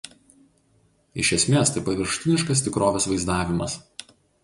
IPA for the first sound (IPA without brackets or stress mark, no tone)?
ɪ